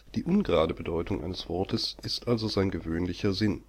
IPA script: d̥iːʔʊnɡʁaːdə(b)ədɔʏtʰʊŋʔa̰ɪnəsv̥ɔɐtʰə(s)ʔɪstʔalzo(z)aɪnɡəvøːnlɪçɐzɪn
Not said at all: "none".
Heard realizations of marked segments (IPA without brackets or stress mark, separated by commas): b, s, z